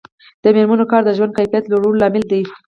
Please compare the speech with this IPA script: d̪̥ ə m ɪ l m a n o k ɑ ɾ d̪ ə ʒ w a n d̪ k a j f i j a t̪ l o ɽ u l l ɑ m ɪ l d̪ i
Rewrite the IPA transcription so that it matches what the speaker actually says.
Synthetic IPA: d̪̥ ə m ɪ ɾ m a n o k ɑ ɾ d̪ ə ʒ w a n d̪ k a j f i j a t̪ l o ɽ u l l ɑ m ɪ l d̪ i